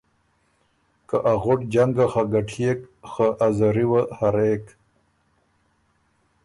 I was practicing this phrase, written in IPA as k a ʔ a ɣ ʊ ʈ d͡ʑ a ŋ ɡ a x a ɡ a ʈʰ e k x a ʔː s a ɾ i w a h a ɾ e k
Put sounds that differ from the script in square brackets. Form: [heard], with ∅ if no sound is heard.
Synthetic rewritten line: k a ʔ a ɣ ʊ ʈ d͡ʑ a ŋ ɡ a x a ɡ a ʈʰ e k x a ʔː [z] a ɾ i w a h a ɾ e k